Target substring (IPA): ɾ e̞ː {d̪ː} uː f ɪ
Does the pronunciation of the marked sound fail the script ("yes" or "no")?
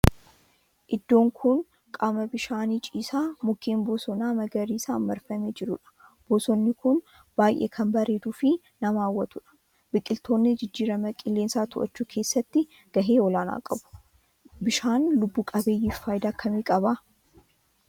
yes